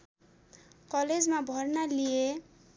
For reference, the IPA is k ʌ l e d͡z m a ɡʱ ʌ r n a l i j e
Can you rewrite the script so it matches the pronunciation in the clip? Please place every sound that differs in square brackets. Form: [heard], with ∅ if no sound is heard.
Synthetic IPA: k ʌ l e d͡z m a [bʱ] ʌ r n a l i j e